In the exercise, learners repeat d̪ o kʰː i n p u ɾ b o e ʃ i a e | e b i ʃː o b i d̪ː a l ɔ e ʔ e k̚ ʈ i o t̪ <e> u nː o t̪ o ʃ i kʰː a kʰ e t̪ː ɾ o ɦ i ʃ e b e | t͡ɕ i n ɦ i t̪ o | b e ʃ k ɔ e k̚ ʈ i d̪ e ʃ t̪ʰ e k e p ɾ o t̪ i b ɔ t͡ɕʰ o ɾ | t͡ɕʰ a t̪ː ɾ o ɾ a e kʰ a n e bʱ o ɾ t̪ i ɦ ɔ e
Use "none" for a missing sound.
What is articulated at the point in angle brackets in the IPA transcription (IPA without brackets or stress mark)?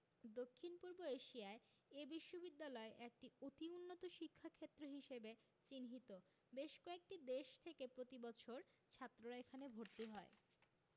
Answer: i